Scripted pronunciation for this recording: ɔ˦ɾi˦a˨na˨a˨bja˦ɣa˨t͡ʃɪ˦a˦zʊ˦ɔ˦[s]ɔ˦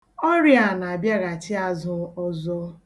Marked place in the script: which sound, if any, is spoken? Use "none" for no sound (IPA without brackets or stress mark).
z